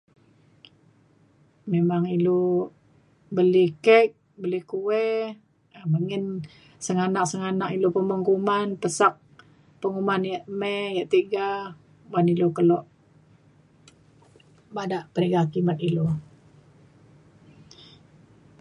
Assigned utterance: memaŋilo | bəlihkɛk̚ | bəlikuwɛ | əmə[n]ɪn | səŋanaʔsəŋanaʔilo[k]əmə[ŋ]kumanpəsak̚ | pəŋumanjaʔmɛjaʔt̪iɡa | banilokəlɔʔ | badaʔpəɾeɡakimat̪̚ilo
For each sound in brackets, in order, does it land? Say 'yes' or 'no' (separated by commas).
no, no, yes